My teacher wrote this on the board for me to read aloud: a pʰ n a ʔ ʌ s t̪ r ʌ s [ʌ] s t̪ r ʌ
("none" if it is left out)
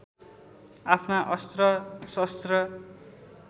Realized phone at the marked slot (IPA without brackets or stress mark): ʌ